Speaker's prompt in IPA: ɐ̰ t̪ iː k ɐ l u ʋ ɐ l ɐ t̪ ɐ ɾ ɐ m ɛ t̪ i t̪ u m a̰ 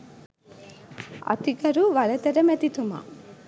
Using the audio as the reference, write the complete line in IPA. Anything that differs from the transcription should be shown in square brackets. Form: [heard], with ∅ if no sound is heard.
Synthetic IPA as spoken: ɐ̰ t̪ [i] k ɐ [ɾ] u ʋ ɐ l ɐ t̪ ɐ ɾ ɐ m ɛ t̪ i t̪ u m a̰